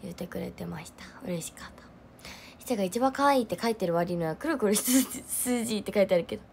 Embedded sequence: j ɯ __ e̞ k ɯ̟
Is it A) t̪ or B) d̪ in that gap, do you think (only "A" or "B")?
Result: A